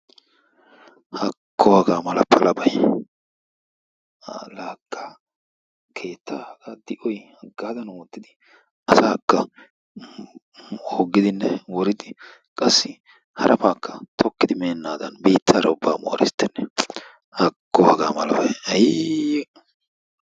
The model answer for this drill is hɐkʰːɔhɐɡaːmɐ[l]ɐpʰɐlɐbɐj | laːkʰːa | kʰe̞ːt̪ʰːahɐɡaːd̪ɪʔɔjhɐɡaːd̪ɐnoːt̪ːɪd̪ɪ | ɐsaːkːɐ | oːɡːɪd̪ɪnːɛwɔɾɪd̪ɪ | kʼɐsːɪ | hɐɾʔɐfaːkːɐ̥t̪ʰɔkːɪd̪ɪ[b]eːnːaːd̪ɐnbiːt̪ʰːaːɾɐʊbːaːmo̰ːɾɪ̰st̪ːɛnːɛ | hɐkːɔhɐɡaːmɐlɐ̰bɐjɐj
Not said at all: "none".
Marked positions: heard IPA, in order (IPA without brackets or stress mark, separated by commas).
l, m